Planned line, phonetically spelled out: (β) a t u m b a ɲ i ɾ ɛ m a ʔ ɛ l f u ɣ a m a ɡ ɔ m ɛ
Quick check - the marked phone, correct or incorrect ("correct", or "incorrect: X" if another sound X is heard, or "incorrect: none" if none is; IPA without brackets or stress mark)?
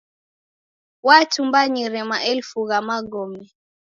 incorrect: w